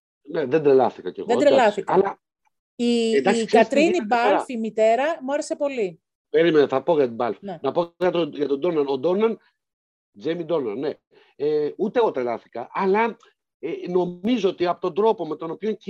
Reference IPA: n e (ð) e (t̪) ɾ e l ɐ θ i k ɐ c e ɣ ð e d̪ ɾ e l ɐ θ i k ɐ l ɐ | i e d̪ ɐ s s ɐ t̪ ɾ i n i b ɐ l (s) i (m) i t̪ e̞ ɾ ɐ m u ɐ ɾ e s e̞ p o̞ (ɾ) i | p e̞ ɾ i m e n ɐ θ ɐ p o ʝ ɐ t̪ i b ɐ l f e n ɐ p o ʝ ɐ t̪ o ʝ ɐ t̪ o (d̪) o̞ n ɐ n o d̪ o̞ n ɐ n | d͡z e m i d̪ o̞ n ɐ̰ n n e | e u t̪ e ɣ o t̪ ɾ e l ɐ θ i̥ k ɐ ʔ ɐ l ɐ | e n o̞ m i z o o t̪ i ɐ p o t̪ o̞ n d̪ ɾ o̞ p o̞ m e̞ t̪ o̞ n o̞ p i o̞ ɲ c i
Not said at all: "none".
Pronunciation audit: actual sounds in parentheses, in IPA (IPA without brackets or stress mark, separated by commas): ð, d̪, f, m, l, d̪